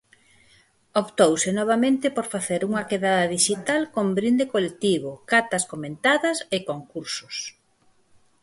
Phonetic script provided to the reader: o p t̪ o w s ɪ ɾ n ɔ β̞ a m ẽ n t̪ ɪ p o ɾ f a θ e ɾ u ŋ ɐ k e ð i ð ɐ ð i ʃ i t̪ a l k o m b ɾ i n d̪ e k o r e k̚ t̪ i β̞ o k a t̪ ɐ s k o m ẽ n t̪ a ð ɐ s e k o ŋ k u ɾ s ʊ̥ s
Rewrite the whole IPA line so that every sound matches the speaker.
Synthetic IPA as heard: o p t̪ o w s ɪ n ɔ β̞ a m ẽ n t̪ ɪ p o ɾ f a θ e ɾ u ŋ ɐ k e ð a ð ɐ ð i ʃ i t̪ a l k o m b ɾ i n d̪ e k o l e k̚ t̪ i β̞ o k a t̪ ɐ s k o m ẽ n t̪ a ð ɐ s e k o ŋ k u ɾ s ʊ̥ s